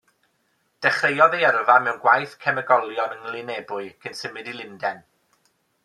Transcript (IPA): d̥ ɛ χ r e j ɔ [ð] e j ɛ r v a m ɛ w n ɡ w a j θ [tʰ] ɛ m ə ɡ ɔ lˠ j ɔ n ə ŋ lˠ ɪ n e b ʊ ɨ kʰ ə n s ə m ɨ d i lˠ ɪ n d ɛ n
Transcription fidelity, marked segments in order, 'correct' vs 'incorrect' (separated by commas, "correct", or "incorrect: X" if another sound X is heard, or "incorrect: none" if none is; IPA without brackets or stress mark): correct, incorrect: kʰ